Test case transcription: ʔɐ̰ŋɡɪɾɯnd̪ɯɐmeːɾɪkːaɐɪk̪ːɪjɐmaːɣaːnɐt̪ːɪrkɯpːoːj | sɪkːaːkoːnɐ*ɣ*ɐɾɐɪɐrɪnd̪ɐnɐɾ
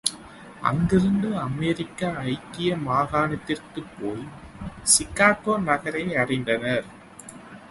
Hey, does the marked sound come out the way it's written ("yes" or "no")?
yes